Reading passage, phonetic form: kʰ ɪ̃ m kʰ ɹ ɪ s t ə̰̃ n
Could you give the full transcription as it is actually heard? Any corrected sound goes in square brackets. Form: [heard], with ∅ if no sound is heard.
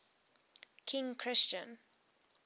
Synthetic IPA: kʰ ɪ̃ [ŋ] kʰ ɹ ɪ s [t͡ʃ] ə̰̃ n